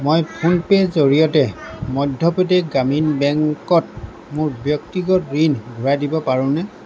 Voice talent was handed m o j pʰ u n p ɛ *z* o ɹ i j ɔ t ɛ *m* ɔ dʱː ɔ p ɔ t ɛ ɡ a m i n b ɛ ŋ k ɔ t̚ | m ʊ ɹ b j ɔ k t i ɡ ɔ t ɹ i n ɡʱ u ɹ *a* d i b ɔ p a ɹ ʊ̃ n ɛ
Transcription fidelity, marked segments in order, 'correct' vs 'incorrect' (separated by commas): correct, correct, correct